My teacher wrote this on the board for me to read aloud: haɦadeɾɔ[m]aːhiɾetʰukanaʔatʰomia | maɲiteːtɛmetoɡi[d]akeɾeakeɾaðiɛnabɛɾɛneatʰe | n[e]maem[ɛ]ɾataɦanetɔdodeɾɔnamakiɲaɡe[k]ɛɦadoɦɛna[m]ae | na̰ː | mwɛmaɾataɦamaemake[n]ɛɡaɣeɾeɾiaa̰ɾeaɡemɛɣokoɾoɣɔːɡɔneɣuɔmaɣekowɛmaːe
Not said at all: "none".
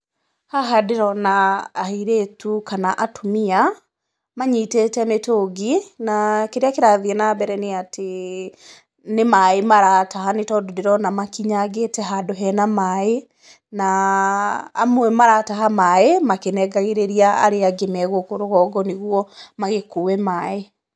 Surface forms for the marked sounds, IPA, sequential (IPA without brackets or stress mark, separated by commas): n, n, e, a, t, m, n